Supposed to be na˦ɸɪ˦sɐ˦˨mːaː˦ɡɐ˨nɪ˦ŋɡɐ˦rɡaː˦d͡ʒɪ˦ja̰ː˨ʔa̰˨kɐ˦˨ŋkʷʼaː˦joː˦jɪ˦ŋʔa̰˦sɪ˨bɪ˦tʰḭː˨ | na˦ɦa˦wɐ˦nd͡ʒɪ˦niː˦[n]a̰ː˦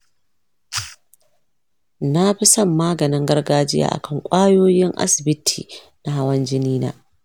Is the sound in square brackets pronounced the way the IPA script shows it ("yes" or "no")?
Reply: yes